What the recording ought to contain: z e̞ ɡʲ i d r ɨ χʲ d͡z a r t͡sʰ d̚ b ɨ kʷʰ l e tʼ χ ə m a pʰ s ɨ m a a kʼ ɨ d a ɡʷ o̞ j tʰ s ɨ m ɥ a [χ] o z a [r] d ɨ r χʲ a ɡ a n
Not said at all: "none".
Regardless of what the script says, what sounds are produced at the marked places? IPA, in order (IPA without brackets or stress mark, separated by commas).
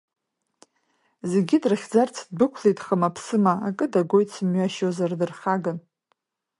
ʃ, r